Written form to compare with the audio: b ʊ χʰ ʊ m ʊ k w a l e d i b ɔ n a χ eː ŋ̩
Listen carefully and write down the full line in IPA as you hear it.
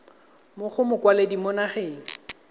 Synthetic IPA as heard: m ʊ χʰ ʊ m ʊ k w a l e d i m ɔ n a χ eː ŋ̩